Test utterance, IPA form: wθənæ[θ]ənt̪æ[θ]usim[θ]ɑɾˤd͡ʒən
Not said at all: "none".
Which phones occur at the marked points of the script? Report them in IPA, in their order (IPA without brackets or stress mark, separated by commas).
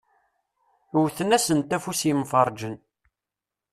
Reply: s, f, f